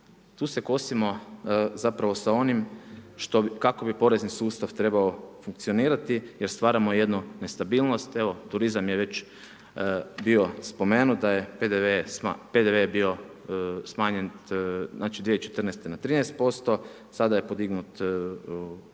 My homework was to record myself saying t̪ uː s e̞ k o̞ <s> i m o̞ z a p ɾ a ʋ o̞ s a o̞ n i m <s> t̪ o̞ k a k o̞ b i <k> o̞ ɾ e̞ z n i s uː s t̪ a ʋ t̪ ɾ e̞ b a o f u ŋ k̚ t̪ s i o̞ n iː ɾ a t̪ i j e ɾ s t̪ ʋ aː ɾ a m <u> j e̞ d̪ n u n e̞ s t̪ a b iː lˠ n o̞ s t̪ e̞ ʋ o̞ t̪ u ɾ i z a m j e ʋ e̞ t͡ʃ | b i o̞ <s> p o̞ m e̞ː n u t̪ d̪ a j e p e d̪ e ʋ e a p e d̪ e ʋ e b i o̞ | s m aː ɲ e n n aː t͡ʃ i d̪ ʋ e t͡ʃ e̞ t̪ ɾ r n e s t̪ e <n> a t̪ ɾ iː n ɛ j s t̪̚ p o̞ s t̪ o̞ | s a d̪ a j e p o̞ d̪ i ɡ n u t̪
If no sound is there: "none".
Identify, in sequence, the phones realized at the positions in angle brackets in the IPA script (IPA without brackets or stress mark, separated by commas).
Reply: s, ʃ, p, o, s, n